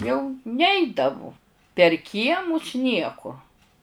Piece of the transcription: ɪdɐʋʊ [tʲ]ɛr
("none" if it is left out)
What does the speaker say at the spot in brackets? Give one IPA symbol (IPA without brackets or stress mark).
pʲ